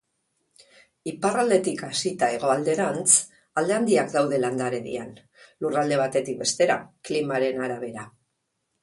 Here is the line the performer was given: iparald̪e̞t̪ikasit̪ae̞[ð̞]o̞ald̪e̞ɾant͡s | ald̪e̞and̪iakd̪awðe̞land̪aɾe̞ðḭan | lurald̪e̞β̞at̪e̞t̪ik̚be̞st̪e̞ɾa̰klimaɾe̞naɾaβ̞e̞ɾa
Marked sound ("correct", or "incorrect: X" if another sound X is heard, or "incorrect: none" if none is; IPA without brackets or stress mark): incorrect: ɣ̞